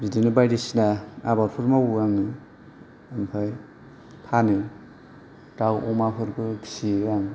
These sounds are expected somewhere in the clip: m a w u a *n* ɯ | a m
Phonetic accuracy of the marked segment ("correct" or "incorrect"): incorrect